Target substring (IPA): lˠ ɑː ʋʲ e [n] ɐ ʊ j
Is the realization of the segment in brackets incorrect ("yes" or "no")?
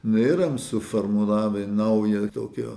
no